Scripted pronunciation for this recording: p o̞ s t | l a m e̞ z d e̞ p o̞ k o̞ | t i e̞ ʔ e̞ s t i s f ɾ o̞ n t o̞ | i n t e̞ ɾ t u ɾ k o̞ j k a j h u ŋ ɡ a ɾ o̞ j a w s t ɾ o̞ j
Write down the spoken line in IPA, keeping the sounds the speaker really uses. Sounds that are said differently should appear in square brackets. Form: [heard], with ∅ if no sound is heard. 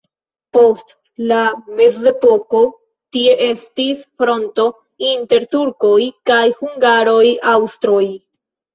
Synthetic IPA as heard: p o̞ s t | l a m e̞ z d e̞ p o̞ k o̞ | t i e̞ ʔ e̞ s t i s f ɾ o̞ n t o̞ | i n t e̞ ɾ t u ɾ k o̞ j k a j h u ŋ ɡ a ɾ o̞ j a w s t ɾ o̞ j